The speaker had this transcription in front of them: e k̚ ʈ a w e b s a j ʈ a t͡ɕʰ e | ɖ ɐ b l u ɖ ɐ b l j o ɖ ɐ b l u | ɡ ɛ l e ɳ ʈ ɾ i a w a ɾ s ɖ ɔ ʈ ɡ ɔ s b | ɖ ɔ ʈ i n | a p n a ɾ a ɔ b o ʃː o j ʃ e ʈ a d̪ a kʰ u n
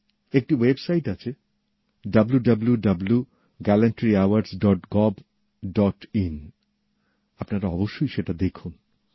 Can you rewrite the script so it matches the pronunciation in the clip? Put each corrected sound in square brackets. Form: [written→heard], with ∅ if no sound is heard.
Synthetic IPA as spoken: e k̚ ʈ [a→i] w e b s a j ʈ a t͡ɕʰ e | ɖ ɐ b l u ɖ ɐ b l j [o→u] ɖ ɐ b l u | ɡ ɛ l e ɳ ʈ ɾ i a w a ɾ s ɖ ɔ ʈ ɡ ɔ [s→∅] b | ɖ ɔ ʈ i n | a p n a ɾ a ɔ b o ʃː o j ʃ e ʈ a d̪ [a→e] kʰ u n